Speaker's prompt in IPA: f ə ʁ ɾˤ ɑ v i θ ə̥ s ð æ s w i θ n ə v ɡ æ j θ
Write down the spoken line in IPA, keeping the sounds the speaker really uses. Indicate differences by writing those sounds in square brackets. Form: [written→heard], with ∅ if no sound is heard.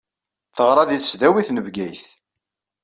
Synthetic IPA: [f→θ] ə ʁ ɾˤ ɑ [v→ð] i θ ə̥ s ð æ [s→∅] w i θ n ə v ɡ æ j θ